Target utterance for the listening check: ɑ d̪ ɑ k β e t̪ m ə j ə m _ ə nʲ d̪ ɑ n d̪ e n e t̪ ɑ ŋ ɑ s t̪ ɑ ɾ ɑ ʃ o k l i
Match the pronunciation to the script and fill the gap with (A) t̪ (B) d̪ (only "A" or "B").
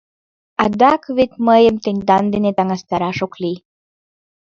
A